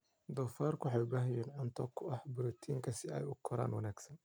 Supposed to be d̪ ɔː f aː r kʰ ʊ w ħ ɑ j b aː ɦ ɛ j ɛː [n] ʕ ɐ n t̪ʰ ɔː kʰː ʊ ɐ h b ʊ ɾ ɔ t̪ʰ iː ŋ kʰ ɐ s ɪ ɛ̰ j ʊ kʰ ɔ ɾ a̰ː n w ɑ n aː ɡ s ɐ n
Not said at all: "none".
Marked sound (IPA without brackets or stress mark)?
n